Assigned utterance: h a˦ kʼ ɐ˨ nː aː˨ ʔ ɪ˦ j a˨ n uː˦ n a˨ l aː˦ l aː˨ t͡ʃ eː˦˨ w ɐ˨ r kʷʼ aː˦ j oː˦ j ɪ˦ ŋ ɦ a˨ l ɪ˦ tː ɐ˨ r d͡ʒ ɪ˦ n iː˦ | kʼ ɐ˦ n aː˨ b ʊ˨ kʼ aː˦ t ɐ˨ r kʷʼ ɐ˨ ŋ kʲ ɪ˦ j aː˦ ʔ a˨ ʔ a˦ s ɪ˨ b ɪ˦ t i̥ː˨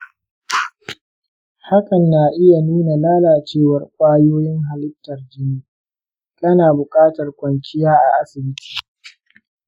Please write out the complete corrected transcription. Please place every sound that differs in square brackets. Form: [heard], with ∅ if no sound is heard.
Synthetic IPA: h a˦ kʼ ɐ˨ nː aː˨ ʔ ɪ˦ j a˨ n uː˦ n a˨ l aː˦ l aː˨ t͡ʃ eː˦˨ w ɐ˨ r kʷʼ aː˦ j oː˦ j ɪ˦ ŋ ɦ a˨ l ɪ˦ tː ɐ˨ r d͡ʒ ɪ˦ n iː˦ | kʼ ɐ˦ n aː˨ b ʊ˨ kʼ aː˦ t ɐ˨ r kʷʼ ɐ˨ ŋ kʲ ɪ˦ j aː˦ ʔ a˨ ʔ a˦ s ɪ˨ b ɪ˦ t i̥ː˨